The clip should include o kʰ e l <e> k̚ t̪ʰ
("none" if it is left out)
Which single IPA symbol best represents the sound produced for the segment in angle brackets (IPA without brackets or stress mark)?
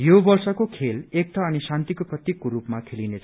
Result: e